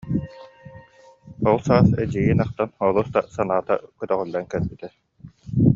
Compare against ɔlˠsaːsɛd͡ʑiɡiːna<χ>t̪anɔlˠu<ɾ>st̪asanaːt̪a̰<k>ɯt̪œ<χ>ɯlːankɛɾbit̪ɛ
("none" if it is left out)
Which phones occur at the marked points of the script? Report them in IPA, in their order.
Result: χ, none, k, ʁ

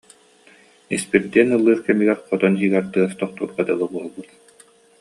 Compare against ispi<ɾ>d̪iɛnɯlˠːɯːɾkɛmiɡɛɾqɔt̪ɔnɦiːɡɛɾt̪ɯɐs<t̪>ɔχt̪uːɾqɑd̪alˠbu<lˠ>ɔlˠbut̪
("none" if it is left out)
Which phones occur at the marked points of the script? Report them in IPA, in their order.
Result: ɾ, t̪, none

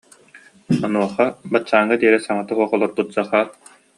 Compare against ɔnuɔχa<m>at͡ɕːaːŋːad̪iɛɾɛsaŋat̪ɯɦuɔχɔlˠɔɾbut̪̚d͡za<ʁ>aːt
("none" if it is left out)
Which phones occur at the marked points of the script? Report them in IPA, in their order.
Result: b, χ

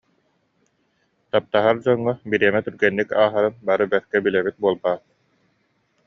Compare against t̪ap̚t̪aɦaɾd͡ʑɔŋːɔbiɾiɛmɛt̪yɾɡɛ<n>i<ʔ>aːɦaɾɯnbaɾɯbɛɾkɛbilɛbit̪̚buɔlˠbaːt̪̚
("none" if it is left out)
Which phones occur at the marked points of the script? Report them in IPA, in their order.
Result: nː, k

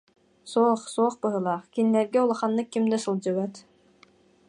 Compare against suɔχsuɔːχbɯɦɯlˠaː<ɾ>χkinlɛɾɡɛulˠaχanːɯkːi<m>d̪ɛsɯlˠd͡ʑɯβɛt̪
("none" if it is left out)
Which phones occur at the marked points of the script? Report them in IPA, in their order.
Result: none, m

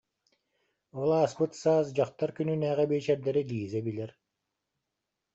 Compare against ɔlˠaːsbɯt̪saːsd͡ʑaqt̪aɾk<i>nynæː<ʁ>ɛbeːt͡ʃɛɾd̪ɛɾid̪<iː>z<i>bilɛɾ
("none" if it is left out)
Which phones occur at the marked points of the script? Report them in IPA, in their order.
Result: y, ʁ, iː, ɛ

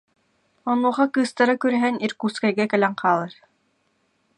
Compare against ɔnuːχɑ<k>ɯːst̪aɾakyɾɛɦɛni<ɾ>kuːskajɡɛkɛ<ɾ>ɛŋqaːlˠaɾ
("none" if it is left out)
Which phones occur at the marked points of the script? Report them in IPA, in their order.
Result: k, ɾ, l

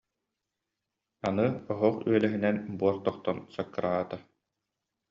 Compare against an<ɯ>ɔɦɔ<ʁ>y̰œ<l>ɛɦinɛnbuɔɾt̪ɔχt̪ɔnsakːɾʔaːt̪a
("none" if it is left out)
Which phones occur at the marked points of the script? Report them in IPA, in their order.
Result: ɯ, χ, l

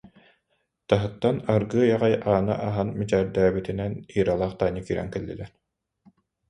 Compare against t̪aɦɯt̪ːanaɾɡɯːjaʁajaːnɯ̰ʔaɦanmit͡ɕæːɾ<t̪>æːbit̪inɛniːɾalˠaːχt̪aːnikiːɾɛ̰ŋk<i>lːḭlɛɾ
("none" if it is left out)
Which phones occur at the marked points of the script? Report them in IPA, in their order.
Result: d̪, ɛ

